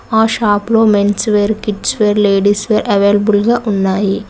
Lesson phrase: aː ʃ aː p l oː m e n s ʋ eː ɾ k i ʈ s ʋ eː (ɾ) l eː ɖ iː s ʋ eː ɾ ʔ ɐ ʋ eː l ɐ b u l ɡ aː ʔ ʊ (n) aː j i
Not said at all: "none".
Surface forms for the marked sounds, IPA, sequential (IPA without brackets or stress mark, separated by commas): ɾ, nː